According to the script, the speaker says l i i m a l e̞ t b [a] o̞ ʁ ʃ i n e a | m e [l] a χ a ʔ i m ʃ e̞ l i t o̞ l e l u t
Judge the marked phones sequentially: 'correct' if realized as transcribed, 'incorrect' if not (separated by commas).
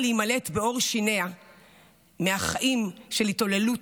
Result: incorrect, incorrect